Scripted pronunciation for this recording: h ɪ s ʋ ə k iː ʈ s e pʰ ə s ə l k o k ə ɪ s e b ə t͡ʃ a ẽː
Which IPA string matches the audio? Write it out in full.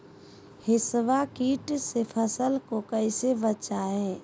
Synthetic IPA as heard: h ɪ s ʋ a k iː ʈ s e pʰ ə s ə l k o k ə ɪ s e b ə t͡ʃ a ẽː